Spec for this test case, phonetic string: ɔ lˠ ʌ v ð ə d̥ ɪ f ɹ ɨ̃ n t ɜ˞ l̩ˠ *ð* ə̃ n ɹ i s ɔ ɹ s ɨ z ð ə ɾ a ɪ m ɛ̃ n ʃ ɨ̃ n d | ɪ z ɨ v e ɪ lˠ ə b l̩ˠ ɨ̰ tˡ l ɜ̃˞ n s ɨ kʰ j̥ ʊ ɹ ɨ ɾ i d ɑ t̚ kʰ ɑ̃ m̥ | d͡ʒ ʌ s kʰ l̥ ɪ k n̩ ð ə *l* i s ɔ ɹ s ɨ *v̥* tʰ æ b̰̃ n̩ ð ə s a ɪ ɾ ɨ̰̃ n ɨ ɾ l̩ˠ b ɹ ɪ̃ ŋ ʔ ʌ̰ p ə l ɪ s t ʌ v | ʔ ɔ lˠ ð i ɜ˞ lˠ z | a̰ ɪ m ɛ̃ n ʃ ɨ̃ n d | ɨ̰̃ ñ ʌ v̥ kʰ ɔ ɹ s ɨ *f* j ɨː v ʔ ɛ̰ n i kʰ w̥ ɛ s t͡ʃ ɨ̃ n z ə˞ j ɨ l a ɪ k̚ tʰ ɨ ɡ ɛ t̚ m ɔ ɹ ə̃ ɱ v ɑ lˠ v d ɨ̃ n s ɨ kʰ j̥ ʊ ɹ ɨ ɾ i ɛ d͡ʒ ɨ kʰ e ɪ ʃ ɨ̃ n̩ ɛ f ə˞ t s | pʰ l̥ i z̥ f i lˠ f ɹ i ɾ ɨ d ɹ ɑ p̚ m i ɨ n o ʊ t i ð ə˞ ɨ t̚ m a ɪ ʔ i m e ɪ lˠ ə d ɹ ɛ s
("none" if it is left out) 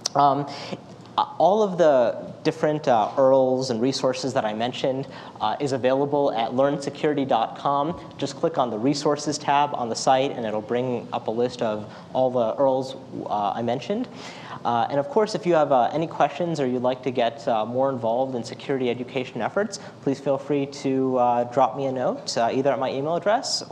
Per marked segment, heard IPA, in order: z, ɹ, z̥, f

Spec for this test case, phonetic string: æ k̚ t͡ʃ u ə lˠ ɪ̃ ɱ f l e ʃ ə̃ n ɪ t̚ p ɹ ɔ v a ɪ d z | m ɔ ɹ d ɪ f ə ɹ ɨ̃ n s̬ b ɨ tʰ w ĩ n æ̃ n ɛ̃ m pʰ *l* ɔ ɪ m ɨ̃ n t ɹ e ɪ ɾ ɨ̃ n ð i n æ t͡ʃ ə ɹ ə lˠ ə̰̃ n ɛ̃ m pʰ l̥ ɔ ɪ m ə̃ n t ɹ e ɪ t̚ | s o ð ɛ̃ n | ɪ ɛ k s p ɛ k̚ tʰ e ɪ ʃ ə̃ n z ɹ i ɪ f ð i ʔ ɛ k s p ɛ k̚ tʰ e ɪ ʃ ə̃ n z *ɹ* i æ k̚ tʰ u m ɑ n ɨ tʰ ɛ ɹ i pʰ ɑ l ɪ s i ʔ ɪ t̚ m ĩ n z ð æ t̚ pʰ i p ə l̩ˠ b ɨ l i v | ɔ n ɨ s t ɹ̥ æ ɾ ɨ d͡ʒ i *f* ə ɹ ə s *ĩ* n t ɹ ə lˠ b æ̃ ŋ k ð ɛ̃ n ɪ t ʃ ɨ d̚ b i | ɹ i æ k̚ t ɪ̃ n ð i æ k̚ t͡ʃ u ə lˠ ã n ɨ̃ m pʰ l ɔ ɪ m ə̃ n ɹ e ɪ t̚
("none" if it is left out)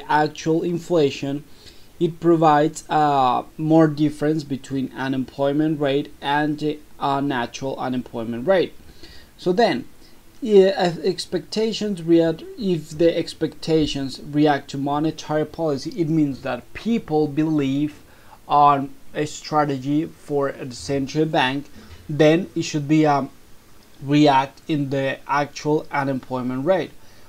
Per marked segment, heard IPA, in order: l, ɹ, f, ɛ̃

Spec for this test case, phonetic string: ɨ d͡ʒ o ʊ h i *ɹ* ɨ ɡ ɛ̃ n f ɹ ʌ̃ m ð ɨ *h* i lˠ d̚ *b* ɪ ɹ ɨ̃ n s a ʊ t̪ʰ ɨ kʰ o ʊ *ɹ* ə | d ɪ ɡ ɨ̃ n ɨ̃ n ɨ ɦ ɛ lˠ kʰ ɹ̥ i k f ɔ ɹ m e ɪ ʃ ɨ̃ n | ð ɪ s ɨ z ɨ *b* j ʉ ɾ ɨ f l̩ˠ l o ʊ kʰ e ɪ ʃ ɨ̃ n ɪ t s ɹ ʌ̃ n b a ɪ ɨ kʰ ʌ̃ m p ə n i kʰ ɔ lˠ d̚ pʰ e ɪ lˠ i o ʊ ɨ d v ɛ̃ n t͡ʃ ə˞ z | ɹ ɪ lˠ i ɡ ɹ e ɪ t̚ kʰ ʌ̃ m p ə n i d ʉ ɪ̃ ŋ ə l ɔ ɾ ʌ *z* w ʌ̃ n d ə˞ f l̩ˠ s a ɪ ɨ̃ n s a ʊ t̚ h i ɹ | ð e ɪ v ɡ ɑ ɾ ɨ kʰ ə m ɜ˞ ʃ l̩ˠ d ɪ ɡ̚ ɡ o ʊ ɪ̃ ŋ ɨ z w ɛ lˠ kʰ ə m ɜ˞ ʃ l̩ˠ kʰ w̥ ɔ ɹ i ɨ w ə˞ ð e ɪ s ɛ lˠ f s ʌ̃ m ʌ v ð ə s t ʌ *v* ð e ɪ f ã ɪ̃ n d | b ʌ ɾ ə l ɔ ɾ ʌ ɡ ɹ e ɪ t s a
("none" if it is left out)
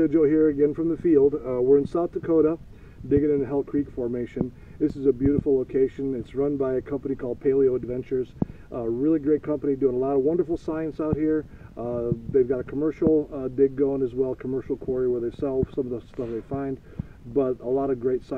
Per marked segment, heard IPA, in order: ɹ, f, w, ɾ, b, v, f

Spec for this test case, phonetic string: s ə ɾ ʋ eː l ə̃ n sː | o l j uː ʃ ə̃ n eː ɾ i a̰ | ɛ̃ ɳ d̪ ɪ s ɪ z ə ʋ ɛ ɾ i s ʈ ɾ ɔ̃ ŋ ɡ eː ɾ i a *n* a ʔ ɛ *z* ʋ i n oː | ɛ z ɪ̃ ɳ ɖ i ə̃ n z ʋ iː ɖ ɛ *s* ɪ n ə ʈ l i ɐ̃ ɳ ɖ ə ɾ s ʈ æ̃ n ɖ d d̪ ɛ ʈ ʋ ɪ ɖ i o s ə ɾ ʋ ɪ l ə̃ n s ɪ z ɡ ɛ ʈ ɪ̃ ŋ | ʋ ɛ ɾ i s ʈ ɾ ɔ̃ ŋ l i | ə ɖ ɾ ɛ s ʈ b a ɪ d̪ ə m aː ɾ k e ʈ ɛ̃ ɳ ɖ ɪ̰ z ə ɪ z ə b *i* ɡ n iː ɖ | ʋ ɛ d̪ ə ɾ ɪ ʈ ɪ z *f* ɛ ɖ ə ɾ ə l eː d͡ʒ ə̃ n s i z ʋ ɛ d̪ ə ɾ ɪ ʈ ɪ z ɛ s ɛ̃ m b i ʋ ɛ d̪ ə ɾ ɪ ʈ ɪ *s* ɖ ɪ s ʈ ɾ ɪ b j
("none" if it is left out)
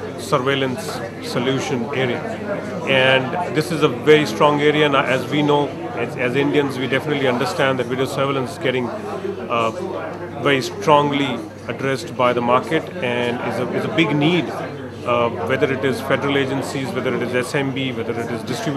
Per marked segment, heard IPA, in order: n, z, f, ɪ, f, z

